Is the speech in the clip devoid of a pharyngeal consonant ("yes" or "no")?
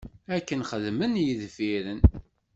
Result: yes